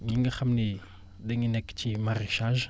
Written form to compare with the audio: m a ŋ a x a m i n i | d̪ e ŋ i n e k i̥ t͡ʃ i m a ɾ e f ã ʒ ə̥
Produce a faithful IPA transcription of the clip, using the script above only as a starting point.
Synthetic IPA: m i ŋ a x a m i n i | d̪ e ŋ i n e k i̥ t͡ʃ i m a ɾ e ʃ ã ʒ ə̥

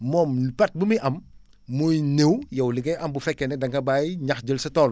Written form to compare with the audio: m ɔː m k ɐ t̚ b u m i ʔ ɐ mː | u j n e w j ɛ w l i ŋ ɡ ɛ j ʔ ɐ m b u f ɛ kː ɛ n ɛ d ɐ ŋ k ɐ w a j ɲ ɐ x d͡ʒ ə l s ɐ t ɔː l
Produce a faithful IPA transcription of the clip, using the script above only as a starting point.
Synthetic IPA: m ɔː m p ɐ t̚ b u m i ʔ ɐ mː | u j n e w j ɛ w l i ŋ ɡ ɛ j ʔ ɐ m b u f ɛ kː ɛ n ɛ d ɐ ŋ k ɐ b a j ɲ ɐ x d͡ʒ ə l s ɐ t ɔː l

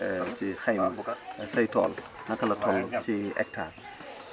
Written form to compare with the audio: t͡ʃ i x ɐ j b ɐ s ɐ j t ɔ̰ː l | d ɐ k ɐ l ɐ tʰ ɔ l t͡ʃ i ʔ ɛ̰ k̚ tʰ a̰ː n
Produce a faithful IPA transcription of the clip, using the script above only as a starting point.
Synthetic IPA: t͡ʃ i x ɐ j m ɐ s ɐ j t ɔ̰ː l | n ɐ k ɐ l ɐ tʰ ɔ l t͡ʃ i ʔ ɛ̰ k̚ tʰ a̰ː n

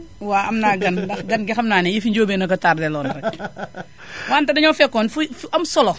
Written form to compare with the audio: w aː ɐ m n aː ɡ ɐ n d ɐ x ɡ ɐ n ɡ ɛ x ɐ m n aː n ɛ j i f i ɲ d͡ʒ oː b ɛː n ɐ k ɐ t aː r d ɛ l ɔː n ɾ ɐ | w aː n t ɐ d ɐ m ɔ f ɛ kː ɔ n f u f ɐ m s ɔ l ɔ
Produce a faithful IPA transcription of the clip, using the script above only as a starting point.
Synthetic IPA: w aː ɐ m n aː ɡ ɐ n d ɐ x ɡ ɐ n ɡ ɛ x ɐ m n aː n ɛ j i f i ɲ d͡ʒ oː b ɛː n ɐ k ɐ t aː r d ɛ l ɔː n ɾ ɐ | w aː n t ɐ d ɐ ɲ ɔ f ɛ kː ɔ n f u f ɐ m s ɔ l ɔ

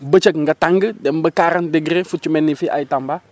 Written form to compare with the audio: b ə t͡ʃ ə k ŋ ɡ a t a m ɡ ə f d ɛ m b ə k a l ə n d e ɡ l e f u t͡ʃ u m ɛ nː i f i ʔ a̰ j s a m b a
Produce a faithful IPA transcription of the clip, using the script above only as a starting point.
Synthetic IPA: b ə t͡ʃ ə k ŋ ɡ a t a ŋ ɡ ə d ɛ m b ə k a ɾ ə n d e ɡ ɾ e f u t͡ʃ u m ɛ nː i f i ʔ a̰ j t a m b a

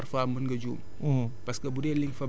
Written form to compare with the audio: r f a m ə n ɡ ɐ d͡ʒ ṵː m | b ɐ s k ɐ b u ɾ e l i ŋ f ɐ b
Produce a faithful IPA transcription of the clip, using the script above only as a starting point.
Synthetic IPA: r f a m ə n ɡ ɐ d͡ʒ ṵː m | p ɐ s k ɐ b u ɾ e l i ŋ f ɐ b

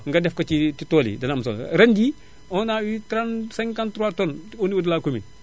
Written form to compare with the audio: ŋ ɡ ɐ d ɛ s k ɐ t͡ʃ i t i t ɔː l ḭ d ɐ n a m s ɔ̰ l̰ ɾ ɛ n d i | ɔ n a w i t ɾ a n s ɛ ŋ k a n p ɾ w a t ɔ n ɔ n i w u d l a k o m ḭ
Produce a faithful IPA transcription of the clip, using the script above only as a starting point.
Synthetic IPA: ŋ ɡ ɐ d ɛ f k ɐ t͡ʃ i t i t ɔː l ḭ d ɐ n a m s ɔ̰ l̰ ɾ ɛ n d i | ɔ n a w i t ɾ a n s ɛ ŋ k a n t ɾ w a t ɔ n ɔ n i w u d l a k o m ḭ

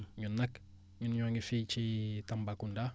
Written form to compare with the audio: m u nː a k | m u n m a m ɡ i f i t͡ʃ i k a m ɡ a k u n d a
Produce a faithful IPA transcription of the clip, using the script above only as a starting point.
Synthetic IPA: ɲ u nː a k | ɲ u n ɲ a ŋ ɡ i f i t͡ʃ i t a m b a k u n d a

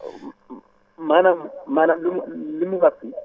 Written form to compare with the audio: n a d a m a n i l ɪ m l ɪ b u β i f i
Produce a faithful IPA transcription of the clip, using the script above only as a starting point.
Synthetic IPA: m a n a m a n a l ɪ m l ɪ m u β a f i

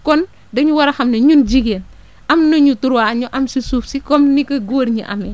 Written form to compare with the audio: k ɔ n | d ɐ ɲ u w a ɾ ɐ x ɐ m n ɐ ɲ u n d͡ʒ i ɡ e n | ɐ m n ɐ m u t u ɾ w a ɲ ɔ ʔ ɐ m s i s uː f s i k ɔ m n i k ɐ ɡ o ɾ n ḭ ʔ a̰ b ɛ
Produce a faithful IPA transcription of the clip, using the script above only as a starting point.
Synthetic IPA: k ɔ n | d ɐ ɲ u w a ɾ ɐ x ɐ m n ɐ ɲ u n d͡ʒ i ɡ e n | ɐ m n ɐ ɲ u t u ɾ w a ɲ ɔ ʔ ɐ m s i s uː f s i k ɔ m n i k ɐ ɡ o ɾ ɲ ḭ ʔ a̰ m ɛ

